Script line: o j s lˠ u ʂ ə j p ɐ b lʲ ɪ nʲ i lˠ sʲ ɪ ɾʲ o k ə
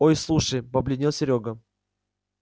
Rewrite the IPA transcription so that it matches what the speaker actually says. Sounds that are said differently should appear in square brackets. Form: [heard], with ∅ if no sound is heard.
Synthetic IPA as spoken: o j s lˠ u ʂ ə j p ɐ b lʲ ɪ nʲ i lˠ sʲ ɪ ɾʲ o [ɡ] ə